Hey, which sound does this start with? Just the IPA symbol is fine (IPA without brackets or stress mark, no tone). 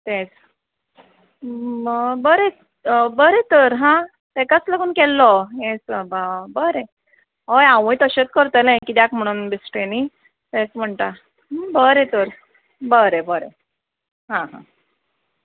t̪